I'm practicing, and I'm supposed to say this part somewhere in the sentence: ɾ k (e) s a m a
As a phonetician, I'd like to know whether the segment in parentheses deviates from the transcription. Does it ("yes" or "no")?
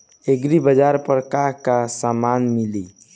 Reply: yes